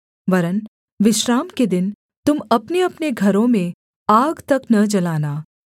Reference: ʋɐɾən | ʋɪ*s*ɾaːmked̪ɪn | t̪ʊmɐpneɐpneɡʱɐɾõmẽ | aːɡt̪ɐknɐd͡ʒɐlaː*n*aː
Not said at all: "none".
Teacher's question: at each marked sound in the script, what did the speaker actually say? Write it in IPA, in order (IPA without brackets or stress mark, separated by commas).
ʃ, n